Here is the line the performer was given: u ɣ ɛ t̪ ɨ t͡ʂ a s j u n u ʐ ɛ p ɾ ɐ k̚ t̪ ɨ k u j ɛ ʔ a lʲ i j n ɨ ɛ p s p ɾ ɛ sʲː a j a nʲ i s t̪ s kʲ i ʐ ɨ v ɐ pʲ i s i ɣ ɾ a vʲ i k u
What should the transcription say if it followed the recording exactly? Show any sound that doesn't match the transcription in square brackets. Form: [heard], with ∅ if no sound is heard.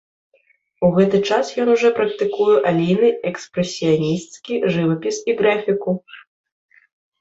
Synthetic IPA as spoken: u ɣ ɛ t̪ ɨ t͡ʂ a s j [ɔ] n u ʐ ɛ p ɾ ɐ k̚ t̪ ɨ k u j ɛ ʔ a lʲ i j n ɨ ɛ [k] s p ɾ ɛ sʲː [i] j a nʲ i s t̪ s kʲ i ʐ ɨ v ɐ pʲ i s i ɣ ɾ a [fʲ] i k u